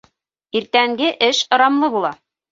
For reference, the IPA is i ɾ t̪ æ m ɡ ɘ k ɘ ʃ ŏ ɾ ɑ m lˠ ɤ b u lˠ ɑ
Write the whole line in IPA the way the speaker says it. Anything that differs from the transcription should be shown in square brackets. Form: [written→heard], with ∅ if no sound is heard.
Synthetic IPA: i ɾ t̪ æ [m→ŋ] ɡ ɘ [k→ʔ] ɘ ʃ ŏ ɾ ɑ m lˠ ɤ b u lˠ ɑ